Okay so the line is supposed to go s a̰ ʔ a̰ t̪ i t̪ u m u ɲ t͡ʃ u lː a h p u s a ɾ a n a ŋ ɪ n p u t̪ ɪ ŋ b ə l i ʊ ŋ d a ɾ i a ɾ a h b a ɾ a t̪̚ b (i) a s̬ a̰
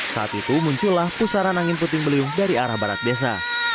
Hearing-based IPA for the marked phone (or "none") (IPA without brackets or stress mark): i